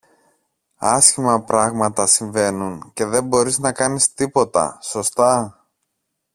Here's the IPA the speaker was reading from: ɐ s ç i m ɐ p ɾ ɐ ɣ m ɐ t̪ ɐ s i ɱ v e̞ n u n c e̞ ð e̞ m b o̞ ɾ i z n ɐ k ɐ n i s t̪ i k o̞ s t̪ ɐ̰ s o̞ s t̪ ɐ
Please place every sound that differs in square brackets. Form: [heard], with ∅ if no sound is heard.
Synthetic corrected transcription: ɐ s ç i m ɐ p ɾ ɐ ɣ m ɐ t̪ ɐ s i ɱ v e̞ n u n c e̞ ð e̞ m b o̞ ɾ i z n ɐ k ɐ n i s t̪ i [p] o̞ [∅] t̪ ɐ̰ s o̞ s t̪ ɐ